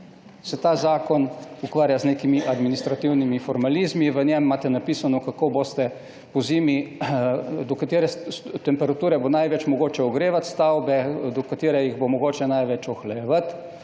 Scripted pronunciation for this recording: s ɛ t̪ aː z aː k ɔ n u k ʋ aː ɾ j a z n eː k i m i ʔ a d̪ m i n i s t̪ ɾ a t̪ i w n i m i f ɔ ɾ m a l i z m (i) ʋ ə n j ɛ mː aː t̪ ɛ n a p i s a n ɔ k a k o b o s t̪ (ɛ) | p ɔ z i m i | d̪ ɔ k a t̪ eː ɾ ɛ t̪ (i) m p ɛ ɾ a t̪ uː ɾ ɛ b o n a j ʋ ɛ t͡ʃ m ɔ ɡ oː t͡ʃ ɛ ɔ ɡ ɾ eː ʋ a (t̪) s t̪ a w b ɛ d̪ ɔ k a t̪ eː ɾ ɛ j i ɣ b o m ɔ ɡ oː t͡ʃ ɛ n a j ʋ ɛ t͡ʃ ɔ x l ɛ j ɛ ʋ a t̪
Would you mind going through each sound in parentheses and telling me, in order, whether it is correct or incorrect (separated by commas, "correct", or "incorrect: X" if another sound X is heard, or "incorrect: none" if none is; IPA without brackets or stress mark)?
correct, correct, incorrect: ɛ, correct